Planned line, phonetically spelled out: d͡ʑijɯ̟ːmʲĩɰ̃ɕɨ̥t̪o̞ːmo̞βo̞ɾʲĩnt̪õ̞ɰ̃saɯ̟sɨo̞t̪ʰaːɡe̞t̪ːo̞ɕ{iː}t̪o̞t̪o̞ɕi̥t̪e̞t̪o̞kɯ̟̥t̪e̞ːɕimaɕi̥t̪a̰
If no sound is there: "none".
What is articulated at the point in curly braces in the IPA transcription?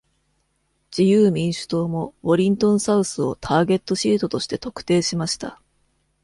iː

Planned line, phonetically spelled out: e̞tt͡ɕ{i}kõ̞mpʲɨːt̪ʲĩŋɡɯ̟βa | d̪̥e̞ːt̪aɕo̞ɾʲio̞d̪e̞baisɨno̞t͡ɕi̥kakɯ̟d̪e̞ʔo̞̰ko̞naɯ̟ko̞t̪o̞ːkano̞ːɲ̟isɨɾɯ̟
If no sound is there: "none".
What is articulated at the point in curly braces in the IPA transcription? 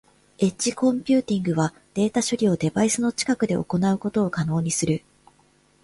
i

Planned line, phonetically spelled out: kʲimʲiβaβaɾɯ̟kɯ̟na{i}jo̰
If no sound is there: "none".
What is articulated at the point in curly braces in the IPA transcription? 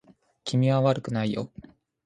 i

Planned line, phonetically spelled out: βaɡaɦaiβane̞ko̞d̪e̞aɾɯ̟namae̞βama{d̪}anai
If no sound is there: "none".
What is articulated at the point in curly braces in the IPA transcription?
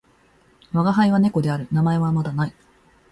d̪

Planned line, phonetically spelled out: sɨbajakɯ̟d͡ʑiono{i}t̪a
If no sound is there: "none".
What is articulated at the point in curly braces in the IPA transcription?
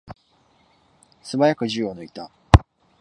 i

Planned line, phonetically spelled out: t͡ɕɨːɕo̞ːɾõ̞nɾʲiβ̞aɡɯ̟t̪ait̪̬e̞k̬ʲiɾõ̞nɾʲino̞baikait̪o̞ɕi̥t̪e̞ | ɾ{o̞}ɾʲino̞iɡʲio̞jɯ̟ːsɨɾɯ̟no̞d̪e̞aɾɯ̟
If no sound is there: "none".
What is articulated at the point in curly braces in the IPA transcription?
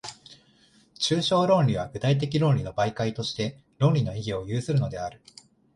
õ̞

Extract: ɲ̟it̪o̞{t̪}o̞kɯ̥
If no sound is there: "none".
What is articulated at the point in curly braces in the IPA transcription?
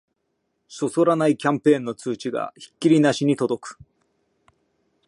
d̪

